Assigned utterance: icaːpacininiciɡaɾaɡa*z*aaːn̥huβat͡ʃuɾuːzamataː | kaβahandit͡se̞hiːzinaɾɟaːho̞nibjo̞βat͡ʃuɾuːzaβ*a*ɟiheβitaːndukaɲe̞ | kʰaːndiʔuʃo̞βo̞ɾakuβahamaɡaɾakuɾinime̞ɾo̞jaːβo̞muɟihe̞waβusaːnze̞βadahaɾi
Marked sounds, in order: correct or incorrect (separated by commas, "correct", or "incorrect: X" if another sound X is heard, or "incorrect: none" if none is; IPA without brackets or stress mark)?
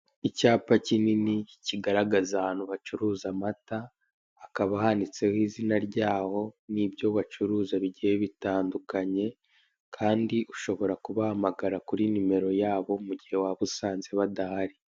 correct, incorrect: i